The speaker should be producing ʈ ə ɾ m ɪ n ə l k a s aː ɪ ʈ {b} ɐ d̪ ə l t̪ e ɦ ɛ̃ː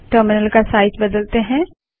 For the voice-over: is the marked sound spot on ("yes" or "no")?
yes